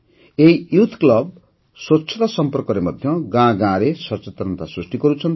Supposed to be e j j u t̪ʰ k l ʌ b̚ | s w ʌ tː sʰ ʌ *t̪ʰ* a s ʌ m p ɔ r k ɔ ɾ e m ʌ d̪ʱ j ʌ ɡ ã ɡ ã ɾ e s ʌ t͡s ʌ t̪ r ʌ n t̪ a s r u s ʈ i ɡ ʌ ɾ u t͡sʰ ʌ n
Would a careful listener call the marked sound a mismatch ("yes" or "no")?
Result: yes